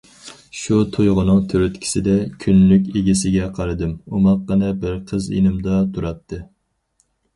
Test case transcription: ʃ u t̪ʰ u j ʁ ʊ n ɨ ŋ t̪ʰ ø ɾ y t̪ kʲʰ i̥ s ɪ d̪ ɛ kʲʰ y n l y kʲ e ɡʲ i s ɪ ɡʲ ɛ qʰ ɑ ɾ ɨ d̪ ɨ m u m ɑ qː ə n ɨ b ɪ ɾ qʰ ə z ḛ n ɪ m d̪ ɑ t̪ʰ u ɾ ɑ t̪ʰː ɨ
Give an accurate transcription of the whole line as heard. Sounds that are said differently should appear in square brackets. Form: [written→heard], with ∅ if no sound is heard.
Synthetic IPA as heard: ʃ u t̪ʰ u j ʁ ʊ n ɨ ŋ t̪ʰ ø ɾ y t̪ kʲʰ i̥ s ɪ d̪ ɛ kʲʰ y n l y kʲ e ɡʲ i s ɪ ɡʲ ɛ qʰ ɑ ɾ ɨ d̪ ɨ m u m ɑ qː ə n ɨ b ɪ ɾ qʰ ə z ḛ n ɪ m d̪ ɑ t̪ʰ u ɾ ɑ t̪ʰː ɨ